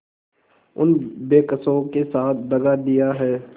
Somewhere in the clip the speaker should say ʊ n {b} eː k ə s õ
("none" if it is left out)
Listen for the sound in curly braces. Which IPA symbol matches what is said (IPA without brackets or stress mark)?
b